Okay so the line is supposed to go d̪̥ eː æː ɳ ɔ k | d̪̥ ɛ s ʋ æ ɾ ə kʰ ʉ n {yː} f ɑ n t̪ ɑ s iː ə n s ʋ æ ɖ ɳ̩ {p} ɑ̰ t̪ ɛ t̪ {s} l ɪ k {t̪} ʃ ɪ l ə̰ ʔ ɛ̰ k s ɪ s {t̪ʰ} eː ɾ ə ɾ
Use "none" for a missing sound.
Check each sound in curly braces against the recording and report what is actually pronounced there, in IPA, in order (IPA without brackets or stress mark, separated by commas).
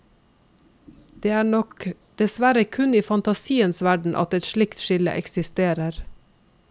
iː, ʔ, ʃ, t̪, t̪